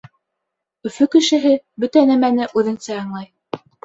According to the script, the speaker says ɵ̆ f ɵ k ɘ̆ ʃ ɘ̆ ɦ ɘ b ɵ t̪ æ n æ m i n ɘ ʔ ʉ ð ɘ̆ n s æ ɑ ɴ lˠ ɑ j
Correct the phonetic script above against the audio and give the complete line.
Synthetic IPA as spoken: ɵ̆ f ɵ k ɘ̆ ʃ ɘ̆ ɦ ɘ b ɵ t̪ æ n æ m æ n ɘ ʔ ʉ ð ɘ̆ n s æ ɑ ɴ lˠ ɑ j

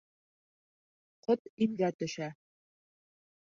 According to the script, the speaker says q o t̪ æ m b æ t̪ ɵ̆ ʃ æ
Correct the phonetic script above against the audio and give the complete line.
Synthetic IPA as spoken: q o t̪ i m ɡ æ t̪ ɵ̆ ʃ æ

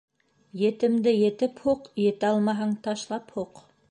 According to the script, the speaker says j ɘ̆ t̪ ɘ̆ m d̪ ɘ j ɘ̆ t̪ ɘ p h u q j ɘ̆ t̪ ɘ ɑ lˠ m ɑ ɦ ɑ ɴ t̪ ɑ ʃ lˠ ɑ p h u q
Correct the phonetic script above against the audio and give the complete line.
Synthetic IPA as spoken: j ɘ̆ t̪ ɘ̆ m d̪ ɘ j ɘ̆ t̪ ɘ p h u q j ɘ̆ t̪ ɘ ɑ lˠ m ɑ ɦ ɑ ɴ t̪ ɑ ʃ lˠ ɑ p h u q

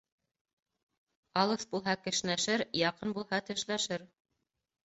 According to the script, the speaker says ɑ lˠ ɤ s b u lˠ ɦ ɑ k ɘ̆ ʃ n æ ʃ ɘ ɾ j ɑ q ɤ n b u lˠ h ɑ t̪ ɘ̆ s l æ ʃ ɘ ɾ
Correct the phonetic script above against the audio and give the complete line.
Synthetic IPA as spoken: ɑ lˠ ɤ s b u lˠ ɦ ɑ k ɘ̆ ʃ n æ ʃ ɘ ɾ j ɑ q ɤ n b u lˠ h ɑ t̪ ɘ̆ ʃ l æ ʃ ɘ ɾ

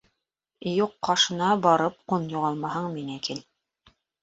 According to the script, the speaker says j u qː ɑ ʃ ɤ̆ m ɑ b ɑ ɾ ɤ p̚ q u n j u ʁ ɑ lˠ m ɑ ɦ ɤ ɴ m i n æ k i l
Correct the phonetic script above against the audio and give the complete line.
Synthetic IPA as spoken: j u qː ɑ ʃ ɤ̆ n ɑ b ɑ ɾ ɤ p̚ q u n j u ʁ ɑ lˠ m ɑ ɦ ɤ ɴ m i n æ k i l

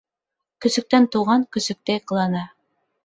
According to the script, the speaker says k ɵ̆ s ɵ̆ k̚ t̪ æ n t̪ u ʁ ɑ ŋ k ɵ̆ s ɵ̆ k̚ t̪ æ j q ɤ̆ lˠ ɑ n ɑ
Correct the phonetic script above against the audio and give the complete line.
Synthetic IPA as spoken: k ɵ̆ s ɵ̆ k̚ t̪ æ n t̪ u ʁ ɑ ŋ k ɵ̆ s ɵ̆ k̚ t̪ æ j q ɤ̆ lˠ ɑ n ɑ

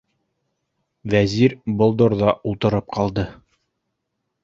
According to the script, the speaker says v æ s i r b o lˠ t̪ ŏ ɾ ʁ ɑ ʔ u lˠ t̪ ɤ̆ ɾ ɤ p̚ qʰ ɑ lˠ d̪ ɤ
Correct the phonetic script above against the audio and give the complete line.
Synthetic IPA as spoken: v æ z i ɾ b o lˠ d̪ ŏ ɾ ð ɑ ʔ u lˠ t̪ ɤ̆ ɾ ɤ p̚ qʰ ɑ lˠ d̪ ɤ

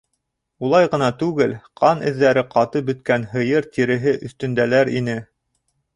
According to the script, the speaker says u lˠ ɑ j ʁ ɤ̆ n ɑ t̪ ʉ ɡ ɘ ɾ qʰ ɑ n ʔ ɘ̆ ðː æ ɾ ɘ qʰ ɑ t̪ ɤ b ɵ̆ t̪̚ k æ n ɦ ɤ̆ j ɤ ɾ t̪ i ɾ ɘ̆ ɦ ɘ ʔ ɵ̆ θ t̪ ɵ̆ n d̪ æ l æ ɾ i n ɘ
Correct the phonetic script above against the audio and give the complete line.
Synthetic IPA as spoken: u lˠ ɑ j ʁ ɤ̆ n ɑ t̪ ʉ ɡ ɘ l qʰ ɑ n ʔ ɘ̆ ðː æ ɾ ɘ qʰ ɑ t̪ ɤ b ɵ̆ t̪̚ k æ n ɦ ɤ̆ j ɤ ɾ t̪ i ɾ ɘ̆ ɦ ɘ ʔ ɵ̆ θ t̪ ɵ̆ n d̪ æ l æ ɾ i n ɘ

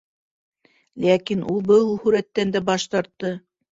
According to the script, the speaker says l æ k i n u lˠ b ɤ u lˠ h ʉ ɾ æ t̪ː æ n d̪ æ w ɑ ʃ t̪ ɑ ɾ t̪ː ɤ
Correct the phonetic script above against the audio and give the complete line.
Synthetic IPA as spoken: l æ k i n u lˠ b ɤ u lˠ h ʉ ɾ æ t̪ː æ n d̪ æ b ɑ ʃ t̪ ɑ ɾ t̪ː ɤ

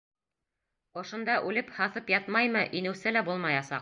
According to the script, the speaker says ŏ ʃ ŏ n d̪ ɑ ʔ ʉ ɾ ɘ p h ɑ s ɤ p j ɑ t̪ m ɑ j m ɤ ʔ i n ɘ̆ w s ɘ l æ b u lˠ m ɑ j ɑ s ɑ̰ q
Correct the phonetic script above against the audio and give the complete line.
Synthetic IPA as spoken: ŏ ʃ ŏ n d̪ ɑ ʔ ʉ l ɘ p h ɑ θ ɤ p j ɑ t̪ m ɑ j m ɤ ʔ i n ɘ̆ w s ɘ l æ b u lˠ m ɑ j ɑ s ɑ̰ q

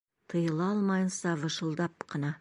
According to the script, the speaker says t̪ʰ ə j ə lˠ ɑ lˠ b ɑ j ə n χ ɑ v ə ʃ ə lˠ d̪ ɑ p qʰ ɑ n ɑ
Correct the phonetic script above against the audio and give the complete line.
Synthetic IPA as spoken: t̪ʰ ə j ə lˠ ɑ lˠ m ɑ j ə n s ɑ v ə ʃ ə lˠ d̪ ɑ p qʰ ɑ n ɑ

